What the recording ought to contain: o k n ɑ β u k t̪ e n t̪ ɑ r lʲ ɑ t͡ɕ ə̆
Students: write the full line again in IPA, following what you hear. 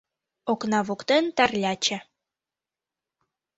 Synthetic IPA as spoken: o k n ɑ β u k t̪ e n t̪ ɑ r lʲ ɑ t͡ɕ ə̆